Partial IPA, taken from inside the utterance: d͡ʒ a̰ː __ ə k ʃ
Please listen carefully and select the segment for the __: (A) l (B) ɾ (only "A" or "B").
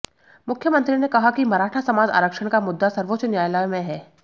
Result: B